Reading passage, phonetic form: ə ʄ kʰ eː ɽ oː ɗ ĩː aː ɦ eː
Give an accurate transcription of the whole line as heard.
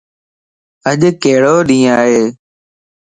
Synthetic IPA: ə ʄ k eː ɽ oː ɗ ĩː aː ɦ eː

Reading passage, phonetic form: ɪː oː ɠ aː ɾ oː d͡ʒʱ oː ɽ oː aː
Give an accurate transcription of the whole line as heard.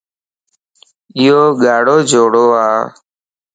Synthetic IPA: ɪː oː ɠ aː ɽ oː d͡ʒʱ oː ɽ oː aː

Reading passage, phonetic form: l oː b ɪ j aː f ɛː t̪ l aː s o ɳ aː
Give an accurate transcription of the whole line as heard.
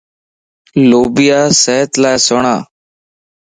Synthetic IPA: l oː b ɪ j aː s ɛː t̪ l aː s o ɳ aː

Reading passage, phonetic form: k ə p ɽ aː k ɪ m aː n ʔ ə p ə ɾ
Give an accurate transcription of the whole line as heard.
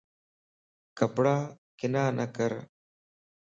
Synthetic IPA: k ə p ɽ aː k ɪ n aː n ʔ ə k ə ɾ

